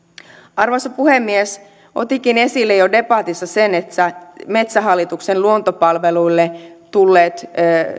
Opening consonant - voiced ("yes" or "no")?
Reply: yes